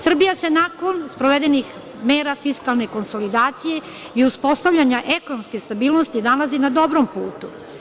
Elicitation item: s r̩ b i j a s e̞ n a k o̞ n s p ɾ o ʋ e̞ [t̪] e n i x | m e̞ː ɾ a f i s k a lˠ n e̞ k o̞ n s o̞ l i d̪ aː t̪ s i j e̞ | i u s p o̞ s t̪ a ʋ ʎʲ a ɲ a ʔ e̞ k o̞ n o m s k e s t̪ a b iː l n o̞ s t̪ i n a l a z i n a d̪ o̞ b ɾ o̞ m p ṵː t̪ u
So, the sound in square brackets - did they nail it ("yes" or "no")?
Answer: no